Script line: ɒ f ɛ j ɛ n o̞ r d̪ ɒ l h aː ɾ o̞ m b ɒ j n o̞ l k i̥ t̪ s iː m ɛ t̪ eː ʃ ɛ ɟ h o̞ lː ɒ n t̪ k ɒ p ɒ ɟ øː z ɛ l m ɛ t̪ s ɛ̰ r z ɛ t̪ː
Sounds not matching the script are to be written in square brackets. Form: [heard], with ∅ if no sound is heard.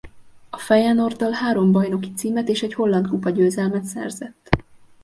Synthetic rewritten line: ɒ f ɛ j ɛ n o̞ r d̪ ɒ l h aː ɾ o̞ m b ɒ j n o̞ [∅] k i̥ t̪ s iː m ɛ t̪ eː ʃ ɛ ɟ h o̞ lː ɒ n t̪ k [u] p ɒ ɟ øː z ɛ l m ɛ t̪ s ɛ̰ r z ɛ t̪ː